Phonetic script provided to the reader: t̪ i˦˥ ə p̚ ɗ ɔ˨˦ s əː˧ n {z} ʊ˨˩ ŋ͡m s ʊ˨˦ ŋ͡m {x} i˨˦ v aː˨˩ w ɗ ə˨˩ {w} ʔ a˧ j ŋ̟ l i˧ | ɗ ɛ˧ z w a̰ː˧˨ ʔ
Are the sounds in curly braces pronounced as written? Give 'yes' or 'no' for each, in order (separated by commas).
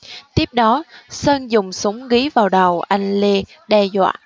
yes, no, yes